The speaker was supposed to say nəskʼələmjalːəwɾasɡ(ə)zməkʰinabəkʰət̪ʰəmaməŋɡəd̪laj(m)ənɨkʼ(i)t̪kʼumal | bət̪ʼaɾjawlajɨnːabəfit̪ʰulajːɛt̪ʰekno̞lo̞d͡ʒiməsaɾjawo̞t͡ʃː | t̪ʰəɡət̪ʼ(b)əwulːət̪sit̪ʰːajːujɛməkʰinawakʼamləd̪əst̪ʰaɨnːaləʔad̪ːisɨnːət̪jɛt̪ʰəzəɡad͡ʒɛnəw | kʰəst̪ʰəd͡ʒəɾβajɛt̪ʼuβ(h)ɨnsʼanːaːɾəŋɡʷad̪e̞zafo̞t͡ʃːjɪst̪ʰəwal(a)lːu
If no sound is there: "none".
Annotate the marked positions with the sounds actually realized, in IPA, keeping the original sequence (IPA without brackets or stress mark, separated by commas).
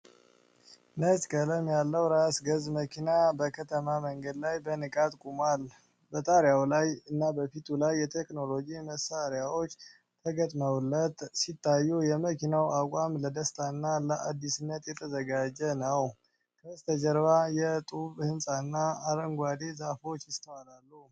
ə, b, a, m, h, a